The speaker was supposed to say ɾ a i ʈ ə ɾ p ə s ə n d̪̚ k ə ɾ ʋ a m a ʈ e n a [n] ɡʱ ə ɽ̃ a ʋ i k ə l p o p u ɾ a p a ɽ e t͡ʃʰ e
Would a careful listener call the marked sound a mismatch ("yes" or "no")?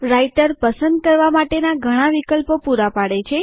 yes